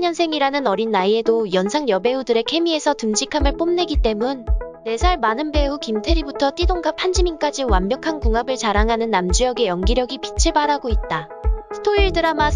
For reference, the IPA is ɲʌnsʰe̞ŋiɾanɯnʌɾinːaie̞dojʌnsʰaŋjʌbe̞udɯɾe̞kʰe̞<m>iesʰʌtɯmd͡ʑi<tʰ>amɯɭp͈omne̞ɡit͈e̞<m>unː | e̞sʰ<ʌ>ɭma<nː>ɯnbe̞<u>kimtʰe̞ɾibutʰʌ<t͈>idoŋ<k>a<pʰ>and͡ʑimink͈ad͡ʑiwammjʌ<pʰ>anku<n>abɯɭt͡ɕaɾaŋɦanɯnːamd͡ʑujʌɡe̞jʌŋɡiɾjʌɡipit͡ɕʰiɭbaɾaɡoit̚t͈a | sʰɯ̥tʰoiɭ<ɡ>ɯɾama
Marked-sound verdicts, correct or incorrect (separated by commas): correct, incorrect, correct, incorrect, incorrect, correct, correct, incorrect, correct, incorrect, incorrect, incorrect